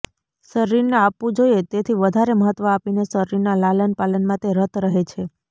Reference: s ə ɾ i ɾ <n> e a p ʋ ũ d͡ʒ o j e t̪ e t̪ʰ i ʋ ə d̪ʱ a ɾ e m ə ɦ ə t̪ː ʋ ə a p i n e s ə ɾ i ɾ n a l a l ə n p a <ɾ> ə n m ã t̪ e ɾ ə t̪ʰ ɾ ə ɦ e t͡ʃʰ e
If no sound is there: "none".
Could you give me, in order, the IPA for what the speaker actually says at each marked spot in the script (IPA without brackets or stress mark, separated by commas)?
n, l